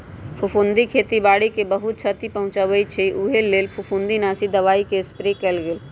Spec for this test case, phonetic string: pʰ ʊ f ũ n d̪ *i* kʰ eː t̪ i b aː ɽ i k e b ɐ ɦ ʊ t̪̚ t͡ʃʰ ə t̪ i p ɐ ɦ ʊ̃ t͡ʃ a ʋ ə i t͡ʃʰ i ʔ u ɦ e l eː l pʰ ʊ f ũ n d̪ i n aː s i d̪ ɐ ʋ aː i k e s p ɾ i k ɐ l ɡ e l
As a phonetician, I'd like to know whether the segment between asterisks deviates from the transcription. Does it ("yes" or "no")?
no